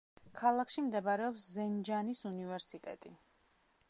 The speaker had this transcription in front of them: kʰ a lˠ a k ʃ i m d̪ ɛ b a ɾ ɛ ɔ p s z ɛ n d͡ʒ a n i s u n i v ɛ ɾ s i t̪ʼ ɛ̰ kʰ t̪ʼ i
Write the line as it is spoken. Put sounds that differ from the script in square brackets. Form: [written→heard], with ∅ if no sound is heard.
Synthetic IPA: kʰ a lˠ a k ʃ i m d̪ ɛ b a ɾ ɛ ɔ p s z ɛ n d͡ʒ a n i s u n i v ɛ ɾ s i t̪ʼ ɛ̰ [kʰ→∅] t̪ʼ i

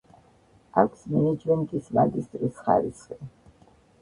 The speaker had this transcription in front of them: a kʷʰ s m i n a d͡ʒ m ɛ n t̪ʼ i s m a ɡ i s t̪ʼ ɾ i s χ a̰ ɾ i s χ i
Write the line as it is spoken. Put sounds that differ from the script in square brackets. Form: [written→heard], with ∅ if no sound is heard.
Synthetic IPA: a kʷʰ s m [i→ɛ] n [a→ɛ] d͡ʒ m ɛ n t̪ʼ i s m a ɡ i s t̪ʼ ɾ i s χ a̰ ɾ i s χ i

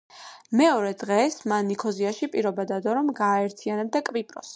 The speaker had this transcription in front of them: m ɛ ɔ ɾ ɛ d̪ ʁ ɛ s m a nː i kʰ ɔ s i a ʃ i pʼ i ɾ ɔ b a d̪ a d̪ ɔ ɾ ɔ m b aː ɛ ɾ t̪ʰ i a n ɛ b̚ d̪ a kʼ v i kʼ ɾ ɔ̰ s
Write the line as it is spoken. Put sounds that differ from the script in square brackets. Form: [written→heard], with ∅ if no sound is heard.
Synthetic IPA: m ɛ ɔ ɾ ɛ d̪ ʁ ɛ s m a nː i kʰ ɔ [s→z] i a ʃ i pʼ i ɾ ɔ b a d̪ a d̪ ɔ ɾ ɔ m [b→ɡ] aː ɛ ɾ t̪ʰ i a n ɛ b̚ d̪ a kʼ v i [kʼ→pʼ] ɾ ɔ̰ s

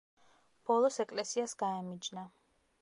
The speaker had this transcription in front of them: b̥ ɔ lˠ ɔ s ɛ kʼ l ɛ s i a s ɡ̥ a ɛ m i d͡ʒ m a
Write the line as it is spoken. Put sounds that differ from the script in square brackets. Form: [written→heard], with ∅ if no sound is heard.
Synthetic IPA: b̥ ɔ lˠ ɔ s ɛ kʼ l ɛ s i a s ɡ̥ a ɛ m i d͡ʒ [m→n] a

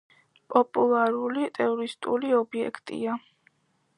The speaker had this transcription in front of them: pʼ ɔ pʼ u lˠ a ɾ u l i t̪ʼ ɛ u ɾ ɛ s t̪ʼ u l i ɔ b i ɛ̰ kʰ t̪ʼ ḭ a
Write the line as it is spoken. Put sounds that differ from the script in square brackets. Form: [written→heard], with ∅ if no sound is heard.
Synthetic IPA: pʼ ɔ pʼ u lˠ a ɾ u l i t̪ʼ ɛ [u→ɔ] ɾ [ɛ→i] s t̪ʼ u l i ɔ b i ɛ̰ kʰ t̪ʼ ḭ a

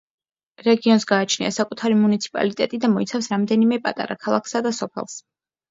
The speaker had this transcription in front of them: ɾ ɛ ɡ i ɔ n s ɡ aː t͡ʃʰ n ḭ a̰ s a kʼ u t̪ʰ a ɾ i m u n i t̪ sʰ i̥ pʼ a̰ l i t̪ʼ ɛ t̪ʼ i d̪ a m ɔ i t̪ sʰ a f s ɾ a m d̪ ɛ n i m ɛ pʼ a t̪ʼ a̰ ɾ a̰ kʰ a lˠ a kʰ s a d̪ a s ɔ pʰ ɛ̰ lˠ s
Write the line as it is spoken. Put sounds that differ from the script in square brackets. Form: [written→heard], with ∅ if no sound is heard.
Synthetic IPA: ɾ ɛ ɡ i ɔ n s ɡ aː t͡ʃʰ n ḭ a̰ s a kʼ u t̪ʰ a ɾ i m u n i t̪ sʰ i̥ pʼ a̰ l i t̪ʼ ɛ t̪ʼ i d̪ a m ɔ i t̪ sʰ a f s ɾ a m d̪ ɛ n i m ɛ pʼ a t̪ʼ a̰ ɾ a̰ kʰ a lˠ a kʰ s a d̪ a s ɔ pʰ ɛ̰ lˠ s

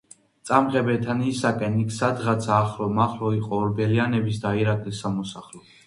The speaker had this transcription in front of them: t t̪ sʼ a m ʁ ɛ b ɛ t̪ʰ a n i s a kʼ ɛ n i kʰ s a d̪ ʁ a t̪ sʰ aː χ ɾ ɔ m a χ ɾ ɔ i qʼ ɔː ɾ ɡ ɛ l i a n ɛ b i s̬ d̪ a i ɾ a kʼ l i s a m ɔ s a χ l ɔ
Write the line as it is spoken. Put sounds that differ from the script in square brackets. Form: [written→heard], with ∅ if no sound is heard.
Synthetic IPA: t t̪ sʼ a m ʁ ɛ b ɛ t̪ʰ a n i s a kʼ ɛ n i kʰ s a d̪ ʁ a t̪ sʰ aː χ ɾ ɔ m a χ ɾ ɔ i qʼ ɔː ɾ [ɡ→b] ɛ l i a n ɛ b i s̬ d̪ a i ɾ a kʼ l i s a m ɔ s a χ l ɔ

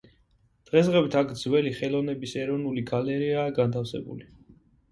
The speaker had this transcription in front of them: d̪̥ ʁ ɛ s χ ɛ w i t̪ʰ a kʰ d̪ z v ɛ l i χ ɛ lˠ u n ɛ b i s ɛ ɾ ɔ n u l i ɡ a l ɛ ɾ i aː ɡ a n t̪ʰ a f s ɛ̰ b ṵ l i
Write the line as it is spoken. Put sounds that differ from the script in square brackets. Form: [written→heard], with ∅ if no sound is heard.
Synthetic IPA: d̪̥ ʁ ɛ s [χ→ʁ] ɛ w i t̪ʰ a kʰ d̪ z [v→w] ɛ l i χ ɛ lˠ [u→ɔ] n ɛ b i s ɛ ɾ ɔ n u l i ɡ a l ɛ ɾ i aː ɡ a n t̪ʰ a f s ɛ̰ b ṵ l i

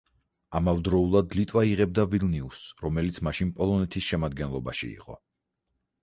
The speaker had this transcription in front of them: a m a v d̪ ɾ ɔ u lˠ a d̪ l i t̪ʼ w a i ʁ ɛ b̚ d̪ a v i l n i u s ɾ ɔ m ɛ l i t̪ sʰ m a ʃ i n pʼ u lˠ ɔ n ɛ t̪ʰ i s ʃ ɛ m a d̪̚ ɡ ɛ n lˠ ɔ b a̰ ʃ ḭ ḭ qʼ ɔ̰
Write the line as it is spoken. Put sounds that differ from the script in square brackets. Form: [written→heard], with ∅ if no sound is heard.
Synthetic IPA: a m a v d̪ ɾ ɔ u lˠ a d̪ l i t̪ʼ w a i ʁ ɛ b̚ d̪ a v i l n i u s ɾ ɔ m ɛ l i t̪ sʰ m a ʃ i n pʼ [u→ɔ] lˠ ɔ n ɛ t̪ʰ i s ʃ ɛ m a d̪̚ ɡ ɛ n lˠ ɔ b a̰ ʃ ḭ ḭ qʼ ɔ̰

